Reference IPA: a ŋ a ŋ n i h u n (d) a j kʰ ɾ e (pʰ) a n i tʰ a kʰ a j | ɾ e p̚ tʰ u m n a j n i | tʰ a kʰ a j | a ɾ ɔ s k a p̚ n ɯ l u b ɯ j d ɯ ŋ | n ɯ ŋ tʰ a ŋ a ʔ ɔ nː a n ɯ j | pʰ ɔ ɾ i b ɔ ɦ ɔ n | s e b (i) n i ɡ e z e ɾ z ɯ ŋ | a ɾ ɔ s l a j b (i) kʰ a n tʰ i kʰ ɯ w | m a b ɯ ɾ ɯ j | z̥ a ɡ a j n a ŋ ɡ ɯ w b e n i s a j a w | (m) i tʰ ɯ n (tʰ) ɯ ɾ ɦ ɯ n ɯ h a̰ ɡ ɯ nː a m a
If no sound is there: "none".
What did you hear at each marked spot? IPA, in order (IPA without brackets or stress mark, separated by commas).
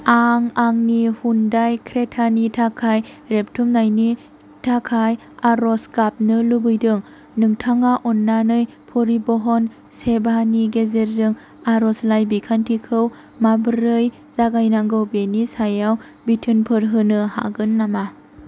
d, tʰ, a, i, b, pʰ